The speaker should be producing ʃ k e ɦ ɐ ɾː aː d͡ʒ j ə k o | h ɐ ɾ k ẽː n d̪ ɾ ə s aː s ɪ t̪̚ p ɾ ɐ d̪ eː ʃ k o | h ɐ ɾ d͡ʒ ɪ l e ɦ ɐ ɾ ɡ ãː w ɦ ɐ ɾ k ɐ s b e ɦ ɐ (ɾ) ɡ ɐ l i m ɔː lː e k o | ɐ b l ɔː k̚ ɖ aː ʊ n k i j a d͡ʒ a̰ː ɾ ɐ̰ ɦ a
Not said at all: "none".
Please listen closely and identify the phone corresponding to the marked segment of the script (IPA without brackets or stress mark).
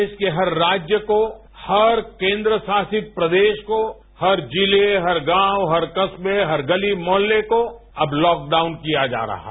ɾ